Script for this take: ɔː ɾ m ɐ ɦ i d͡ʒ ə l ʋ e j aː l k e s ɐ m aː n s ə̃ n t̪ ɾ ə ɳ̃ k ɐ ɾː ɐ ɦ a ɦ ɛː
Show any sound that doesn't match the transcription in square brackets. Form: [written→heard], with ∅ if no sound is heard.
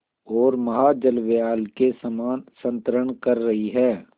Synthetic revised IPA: ɔː ɾ m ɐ ɦ [i→a] d͡ʒ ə l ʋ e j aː l k e s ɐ m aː n s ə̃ n t̪ ɾ ə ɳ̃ k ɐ ɾː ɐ ɦ [a→i] ɦ ɛː